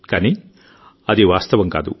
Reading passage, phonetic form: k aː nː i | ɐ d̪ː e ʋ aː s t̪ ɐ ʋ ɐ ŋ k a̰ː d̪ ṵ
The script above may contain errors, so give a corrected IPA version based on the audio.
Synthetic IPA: k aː n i | ɐ d̪ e ʋ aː s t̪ ɐ ʋ ɐ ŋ k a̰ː d̪ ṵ